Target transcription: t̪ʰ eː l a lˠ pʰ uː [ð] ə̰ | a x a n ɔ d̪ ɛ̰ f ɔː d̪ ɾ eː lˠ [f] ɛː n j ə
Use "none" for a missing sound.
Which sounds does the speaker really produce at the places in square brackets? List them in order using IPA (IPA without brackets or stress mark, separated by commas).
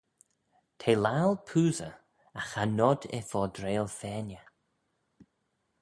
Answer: z, f